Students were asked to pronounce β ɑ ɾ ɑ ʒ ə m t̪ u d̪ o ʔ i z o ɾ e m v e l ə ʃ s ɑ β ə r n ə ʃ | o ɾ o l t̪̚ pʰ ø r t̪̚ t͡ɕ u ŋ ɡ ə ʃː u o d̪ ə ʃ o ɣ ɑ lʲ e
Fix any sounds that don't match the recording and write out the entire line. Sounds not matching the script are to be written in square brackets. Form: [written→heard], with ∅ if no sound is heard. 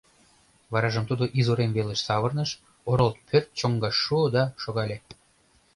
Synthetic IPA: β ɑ ɾ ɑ ʒ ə m t̪ u d̪ o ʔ i z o ɾ e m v e l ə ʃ s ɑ β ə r n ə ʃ | o ɾ o l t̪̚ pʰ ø r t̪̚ t͡ɕ [u→o] ŋ ɡ [ə→ɑ] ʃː u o d̪ [ə→ɑ] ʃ o ɣ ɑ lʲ e